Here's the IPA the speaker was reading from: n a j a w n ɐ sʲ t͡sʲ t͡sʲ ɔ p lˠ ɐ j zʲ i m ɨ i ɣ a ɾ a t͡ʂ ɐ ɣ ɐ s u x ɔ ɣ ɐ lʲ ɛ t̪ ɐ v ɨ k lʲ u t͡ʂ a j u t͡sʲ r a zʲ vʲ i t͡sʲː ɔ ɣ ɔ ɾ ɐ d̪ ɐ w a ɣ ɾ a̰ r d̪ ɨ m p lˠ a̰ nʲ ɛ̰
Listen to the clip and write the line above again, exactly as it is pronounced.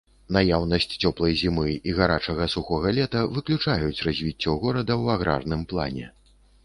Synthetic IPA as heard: n a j a w n ɐ sʲ t͡sʲ t͡sʲ ɔ p lˠ ɐ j zʲ i m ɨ i ɣ a ɾ a t͡ʂ ɐ ɣ ɐ s u x ɔ ɣ ɐ lʲ ɛ t̪ ɐ v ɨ k lʲ u t͡ʂ a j u t͡sʲ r a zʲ vʲ i t͡sʲː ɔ ɣ ɔ ɾ ɐ d̪ ɐ w a ɣ ɾ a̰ r n̪ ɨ m p lˠ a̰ nʲ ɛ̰